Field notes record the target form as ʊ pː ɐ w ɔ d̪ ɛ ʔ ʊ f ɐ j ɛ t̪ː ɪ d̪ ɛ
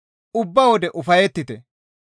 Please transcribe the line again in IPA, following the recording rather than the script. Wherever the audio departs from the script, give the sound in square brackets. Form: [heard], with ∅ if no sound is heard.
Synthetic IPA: ʊ [bː] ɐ w ɔ d̪ ɛ ʔ ʊ f ɐ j ɛ t̪ː ɪ [t̪] ɛ